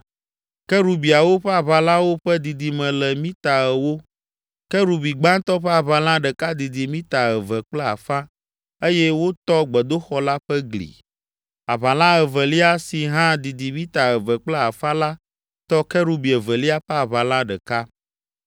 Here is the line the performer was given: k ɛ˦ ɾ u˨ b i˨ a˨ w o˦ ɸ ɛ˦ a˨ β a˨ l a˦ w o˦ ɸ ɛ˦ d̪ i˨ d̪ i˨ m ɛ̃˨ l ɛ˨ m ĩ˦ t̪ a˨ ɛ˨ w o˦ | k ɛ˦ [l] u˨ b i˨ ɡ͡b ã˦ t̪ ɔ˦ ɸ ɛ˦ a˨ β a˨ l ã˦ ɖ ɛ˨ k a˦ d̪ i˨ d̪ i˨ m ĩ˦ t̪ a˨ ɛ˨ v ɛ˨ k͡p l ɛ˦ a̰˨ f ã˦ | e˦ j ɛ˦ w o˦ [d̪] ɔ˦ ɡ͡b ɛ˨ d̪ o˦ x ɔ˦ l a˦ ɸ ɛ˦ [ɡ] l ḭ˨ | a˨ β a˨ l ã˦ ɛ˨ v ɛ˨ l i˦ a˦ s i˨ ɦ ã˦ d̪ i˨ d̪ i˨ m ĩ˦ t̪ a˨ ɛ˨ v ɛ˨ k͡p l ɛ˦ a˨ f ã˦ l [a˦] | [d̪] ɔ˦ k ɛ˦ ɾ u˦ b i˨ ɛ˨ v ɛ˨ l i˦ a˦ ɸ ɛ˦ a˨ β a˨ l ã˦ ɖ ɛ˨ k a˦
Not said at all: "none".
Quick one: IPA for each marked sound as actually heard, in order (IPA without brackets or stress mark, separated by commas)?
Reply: ɾ, t̪, ɡ, a˦, t̪